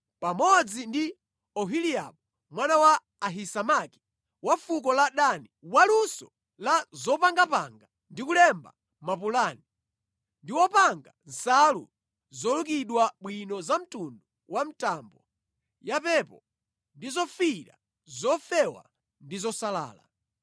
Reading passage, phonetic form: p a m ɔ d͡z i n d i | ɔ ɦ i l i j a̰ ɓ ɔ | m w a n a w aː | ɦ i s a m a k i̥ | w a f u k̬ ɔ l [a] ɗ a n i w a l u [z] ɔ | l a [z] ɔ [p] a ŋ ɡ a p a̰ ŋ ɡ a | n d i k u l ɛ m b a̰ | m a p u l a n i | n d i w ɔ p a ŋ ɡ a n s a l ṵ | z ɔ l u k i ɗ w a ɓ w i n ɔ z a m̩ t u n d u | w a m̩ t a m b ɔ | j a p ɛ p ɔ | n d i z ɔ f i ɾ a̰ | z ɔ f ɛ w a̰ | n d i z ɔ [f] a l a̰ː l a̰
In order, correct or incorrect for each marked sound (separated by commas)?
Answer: correct, incorrect, correct, correct, incorrect